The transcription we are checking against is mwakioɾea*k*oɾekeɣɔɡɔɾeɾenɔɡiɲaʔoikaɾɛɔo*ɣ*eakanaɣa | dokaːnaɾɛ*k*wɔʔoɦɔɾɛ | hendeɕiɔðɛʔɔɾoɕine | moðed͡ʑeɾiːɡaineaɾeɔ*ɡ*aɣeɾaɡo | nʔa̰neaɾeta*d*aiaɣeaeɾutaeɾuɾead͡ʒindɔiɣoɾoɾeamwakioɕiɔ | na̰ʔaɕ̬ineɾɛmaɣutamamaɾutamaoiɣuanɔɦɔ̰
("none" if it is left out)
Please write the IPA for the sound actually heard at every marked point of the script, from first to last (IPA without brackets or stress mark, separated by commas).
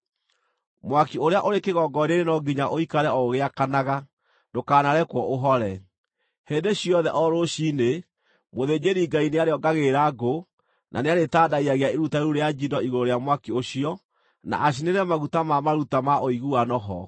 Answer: ʔ, ɣ, k, ɡ, d